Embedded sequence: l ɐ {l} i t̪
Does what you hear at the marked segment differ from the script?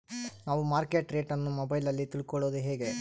yes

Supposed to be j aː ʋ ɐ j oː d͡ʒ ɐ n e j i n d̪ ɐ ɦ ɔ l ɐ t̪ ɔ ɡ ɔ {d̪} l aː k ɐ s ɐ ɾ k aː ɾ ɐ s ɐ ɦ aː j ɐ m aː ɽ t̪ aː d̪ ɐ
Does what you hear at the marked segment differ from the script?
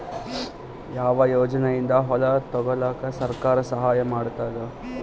yes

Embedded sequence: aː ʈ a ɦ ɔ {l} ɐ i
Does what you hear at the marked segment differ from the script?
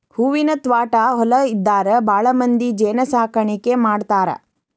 no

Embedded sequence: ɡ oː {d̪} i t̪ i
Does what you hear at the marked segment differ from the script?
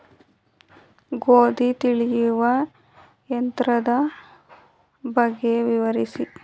no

